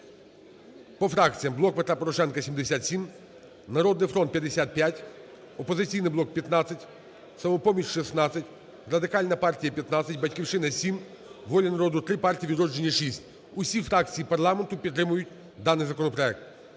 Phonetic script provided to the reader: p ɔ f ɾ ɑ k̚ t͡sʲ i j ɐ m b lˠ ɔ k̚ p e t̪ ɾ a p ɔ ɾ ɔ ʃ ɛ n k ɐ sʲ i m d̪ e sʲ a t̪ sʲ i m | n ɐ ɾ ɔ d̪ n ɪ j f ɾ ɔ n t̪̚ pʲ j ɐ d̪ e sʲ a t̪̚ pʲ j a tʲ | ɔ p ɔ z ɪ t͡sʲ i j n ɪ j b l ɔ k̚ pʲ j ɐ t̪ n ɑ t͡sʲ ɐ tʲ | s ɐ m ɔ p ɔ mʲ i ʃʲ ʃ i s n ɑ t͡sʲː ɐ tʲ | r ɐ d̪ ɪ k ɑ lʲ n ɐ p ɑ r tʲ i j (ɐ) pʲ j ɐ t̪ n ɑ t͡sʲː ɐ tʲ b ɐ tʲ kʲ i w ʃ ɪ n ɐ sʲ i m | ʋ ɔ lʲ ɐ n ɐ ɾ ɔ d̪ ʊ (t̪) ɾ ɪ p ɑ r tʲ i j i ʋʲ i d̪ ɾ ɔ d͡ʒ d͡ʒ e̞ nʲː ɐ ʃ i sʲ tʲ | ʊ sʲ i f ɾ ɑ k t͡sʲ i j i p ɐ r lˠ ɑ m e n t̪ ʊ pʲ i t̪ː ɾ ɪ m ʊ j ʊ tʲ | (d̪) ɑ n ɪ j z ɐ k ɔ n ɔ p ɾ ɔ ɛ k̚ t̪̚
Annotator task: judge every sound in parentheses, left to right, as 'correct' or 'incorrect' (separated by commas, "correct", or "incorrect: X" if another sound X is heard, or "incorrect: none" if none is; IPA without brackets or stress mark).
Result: correct, correct, correct